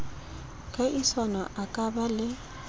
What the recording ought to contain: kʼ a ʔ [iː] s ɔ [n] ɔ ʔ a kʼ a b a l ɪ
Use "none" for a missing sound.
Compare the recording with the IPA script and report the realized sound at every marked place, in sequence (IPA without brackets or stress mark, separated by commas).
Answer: i, n